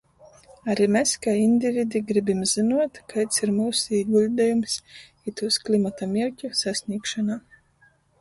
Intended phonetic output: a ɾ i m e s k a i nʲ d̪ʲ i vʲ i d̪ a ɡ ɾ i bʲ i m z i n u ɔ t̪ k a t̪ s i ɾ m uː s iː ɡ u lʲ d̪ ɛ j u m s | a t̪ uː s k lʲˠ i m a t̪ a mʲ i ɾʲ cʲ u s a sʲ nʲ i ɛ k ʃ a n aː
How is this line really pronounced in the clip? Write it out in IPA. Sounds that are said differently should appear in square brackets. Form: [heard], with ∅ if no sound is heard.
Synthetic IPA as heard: a ɾ i m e s k a i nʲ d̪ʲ i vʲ i d̪ [i] ɡ ɾ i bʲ i m z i n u ɔ t̪ k a t̪ s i ɾ m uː s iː ɡ u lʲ d̪ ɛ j u m s | [i] t̪ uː s k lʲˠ i m a t̪ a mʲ i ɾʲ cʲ u s a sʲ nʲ i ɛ k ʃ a n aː